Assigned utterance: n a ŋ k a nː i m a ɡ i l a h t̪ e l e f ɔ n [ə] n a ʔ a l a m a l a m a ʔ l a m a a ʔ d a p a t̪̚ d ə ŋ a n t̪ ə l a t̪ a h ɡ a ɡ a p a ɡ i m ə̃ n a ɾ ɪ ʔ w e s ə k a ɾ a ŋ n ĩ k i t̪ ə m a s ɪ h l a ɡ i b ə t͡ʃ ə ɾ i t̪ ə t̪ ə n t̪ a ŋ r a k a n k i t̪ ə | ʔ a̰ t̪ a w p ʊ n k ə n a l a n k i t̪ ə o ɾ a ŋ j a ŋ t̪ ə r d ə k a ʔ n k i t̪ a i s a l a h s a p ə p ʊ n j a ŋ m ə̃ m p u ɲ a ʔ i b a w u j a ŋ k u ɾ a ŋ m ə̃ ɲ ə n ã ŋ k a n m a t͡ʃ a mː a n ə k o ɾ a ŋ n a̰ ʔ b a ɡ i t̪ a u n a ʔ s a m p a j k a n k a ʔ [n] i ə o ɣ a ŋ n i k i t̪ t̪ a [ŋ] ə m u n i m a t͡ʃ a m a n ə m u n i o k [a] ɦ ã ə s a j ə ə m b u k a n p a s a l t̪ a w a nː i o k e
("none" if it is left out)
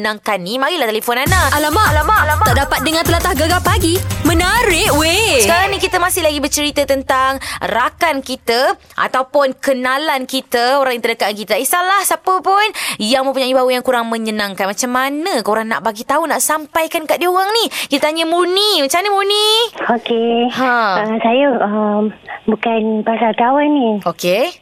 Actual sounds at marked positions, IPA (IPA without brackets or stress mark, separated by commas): a, d, ɲ, e